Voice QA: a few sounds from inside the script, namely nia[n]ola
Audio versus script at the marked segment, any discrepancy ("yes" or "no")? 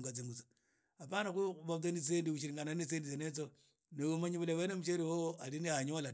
yes